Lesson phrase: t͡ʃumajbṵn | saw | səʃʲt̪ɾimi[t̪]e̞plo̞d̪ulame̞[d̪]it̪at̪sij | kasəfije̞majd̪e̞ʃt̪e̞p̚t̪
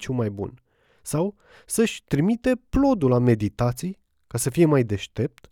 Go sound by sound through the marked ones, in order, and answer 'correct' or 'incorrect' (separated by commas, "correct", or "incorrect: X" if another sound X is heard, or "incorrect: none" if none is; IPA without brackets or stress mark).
correct, correct